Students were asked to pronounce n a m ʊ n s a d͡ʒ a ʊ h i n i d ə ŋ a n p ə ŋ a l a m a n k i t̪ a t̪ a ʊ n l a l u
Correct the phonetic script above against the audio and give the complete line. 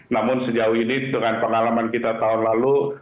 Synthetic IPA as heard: n a m ʊ n s ə d͡ʒ a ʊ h i n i d ə ŋ a n p ə ŋ a l a m a n k i t̪ a t̪ a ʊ n l a l u